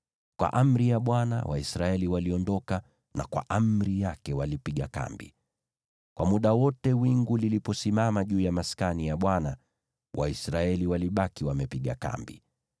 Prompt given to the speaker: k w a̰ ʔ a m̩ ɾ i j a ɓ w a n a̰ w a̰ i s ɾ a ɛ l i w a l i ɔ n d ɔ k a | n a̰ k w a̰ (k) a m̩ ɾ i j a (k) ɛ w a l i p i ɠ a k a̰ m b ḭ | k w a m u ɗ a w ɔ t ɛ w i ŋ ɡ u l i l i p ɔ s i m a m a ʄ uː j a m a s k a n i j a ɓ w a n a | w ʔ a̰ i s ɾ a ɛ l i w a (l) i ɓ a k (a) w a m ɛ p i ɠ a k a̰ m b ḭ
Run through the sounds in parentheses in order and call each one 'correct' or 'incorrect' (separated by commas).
incorrect, correct, correct, incorrect